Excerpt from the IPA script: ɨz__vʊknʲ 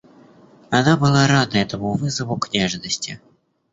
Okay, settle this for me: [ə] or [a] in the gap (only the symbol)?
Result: ə